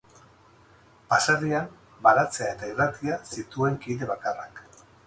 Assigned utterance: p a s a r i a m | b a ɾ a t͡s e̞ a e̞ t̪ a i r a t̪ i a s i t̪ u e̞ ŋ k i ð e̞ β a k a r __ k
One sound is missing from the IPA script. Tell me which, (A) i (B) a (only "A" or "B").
B